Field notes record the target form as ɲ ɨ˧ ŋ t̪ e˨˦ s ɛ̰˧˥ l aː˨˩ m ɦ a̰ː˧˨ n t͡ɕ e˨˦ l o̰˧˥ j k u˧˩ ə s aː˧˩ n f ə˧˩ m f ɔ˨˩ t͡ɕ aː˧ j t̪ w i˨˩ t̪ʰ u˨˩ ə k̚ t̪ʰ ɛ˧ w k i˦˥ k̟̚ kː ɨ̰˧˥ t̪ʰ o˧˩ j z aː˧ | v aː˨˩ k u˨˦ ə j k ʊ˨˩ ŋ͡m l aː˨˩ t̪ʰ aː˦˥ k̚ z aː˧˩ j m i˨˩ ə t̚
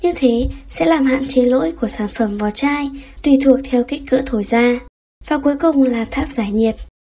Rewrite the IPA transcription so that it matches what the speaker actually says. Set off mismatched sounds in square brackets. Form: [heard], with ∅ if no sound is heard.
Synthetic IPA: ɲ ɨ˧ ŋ [t̪ʰ] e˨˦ s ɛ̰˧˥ l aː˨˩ m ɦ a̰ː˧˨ n t͡ɕ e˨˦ l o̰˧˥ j k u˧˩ ə s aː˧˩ n f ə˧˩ m [v] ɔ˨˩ t͡ɕ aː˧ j t̪ w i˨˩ t̪ʰ u˨˩ ə k̚ t̪ʰ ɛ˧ w k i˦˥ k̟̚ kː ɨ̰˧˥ t̪ʰ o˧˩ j z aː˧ | v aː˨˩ k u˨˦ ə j k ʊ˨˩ ŋ͡m l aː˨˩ t̪ʰ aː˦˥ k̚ z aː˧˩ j [ɲ] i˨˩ ə t̚